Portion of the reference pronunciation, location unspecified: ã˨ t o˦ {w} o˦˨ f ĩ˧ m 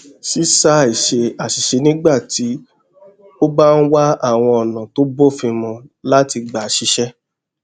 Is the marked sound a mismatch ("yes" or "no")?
yes